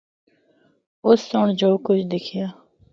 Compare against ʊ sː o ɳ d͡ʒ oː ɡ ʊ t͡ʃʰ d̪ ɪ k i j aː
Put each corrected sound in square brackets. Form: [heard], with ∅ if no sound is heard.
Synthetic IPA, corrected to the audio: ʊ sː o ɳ d͡ʒ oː [k] ʊ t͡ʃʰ d̪ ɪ [kʰ] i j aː

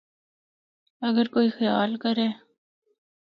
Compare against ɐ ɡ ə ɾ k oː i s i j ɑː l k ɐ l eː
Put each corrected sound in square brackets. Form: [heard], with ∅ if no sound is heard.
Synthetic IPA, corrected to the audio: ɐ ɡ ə ɾ k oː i [x] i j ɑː l k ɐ [ɾ] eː

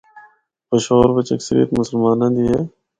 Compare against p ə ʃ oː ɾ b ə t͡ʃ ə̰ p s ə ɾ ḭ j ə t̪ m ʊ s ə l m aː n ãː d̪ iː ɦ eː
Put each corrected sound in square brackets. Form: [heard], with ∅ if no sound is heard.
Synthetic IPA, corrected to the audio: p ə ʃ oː ɾ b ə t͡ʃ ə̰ [k] s ə ɾ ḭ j ə t̪ m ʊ s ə l m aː n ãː d̪ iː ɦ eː

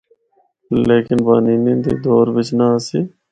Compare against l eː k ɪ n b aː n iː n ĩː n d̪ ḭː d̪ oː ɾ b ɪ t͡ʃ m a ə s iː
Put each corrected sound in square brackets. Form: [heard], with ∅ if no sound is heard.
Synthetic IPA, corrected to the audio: l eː k ɪ n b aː n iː n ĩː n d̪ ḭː d̪ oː ɾ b ɪ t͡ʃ [n] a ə s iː

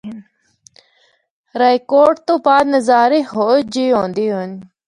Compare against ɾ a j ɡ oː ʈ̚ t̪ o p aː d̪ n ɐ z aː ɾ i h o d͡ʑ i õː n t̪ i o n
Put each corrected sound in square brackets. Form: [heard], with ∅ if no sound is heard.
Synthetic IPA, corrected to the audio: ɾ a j [k] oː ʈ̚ t̪ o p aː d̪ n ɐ z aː ɾ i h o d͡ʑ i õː n [d̪] i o n

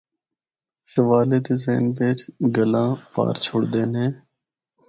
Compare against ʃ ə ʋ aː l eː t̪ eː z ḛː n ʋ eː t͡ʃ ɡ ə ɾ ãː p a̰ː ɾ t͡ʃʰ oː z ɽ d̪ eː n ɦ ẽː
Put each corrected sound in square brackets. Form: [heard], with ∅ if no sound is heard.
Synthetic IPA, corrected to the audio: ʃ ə ʋ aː l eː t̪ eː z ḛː n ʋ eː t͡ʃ ɡ ə [l] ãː p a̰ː ɾ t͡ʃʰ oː [∅] ɽ d̪ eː n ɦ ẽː

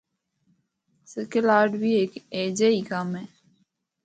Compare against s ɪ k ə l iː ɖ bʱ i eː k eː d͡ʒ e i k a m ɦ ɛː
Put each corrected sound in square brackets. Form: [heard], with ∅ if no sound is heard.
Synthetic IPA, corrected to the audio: s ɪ k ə l [aː] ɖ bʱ i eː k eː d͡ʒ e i k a m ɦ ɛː

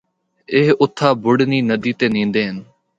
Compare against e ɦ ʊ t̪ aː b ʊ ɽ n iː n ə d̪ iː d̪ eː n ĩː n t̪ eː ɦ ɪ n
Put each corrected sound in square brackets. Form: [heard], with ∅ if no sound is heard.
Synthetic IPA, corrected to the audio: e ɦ ʊ [t̪ʰ] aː b ʊ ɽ n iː n ə d̪ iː [t̪] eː n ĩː n [d̪] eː ɦ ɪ n

